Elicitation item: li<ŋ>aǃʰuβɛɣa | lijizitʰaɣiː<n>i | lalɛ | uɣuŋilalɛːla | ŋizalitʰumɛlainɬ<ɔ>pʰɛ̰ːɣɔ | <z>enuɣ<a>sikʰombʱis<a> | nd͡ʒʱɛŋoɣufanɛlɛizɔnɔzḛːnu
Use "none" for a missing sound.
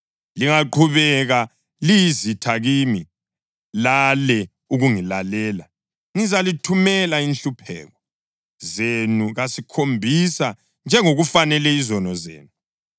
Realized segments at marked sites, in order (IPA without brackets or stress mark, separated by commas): ŋ, m, u, z, a, a